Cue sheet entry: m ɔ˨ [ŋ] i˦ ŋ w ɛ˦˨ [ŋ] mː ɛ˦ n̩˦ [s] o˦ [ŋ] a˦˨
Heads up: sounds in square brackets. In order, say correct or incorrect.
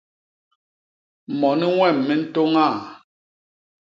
incorrect: n, incorrect: none, incorrect: t, correct

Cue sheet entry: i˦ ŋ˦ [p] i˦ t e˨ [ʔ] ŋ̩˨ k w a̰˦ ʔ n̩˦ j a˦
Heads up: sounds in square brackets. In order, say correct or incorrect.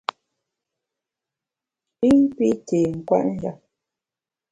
correct, incorrect: none

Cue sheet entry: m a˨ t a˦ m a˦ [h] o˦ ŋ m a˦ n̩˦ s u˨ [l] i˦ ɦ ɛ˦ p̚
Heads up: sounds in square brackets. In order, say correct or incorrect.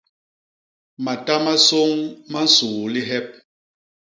incorrect: s, correct

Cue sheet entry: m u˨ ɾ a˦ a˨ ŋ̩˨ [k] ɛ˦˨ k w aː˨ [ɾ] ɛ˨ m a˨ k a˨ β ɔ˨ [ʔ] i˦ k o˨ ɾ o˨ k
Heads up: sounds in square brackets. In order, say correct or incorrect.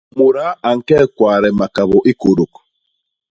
correct, correct, correct

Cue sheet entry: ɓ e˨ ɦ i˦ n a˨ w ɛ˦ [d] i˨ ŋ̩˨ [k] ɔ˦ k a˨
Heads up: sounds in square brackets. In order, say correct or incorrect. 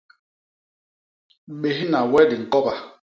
correct, correct

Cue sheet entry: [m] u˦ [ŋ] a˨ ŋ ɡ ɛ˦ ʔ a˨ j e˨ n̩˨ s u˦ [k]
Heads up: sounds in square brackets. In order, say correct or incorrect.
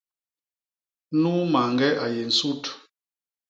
incorrect: n, incorrect: m, incorrect: t

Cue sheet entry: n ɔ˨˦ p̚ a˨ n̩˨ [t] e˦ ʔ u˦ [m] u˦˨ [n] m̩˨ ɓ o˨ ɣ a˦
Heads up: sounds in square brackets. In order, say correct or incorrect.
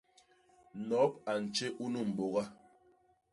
incorrect: t͡ʃ, incorrect: n, incorrect: none

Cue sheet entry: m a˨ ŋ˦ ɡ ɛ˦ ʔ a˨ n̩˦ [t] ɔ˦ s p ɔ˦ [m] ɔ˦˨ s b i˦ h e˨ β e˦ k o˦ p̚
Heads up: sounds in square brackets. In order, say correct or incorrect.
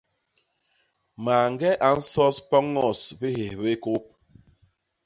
incorrect: s, incorrect: ŋ

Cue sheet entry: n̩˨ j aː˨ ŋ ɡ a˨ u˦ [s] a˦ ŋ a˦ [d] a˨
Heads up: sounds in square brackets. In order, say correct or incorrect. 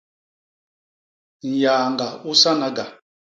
correct, incorrect: ɡ

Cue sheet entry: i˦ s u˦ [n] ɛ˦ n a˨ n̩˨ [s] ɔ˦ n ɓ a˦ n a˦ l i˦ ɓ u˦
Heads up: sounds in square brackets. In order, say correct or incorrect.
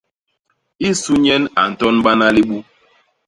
incorrect: ɲ, incorrect: t

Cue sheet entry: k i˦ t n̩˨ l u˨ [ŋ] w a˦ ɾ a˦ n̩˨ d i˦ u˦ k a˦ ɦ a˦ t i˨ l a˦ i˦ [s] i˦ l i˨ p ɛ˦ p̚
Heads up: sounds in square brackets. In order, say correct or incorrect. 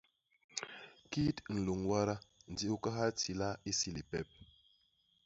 correct, correct

